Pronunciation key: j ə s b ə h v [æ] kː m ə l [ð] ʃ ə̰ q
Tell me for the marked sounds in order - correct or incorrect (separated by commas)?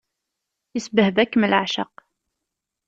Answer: correct, incorrect